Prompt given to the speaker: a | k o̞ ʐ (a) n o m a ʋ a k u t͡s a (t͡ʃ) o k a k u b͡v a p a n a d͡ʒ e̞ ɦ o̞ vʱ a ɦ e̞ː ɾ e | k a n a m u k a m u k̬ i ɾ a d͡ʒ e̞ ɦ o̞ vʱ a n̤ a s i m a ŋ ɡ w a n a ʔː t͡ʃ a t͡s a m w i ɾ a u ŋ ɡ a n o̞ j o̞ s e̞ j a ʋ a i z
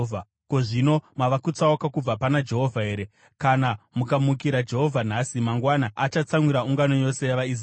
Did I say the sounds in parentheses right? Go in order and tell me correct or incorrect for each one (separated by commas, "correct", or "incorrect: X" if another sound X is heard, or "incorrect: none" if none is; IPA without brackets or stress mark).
incorrect: i, incorrect: none